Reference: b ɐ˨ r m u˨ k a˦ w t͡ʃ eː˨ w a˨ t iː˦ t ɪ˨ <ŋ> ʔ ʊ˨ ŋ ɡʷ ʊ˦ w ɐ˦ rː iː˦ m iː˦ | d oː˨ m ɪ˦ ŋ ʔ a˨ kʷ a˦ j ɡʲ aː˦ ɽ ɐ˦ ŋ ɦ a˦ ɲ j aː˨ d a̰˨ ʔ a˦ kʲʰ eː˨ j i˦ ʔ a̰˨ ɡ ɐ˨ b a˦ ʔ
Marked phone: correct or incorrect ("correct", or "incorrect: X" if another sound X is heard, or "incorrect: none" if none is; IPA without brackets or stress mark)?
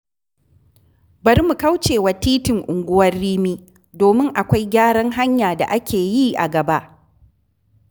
correct